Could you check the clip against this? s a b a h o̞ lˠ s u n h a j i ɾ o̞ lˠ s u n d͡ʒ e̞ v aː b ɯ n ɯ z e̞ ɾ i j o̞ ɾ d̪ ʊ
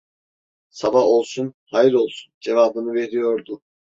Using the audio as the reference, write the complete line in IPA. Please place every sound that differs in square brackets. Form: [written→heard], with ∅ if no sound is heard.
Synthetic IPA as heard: s a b a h o̞ lˠ s u n h a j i ɾ o̞ lˠ s u n d͡ʒ e̞ v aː b ɯ n ɯ [z→v] e̞ ɾ i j o̞ ɾ d̪ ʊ